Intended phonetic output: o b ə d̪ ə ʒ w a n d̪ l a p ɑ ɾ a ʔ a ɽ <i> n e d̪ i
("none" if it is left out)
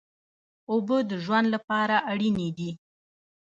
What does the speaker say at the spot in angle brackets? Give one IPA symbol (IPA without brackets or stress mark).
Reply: i